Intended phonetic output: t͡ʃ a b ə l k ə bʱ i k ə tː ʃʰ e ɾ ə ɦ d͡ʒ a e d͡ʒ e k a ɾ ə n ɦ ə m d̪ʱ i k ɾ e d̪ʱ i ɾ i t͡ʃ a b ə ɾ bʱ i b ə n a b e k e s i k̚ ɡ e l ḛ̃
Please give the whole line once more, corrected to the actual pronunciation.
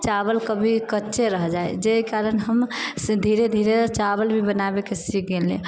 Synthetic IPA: t͡ʃ a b ə l k ə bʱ i k ə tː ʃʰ e ɾ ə ɦ d͡ʒ a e d͡ʒ e k a ɾ ə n ɦ ə m d̪ʱ i ɾ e d̪ʱ i ɾ e t͡ʃ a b ə l bʱ i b ə n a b e k e s i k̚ ɡ e l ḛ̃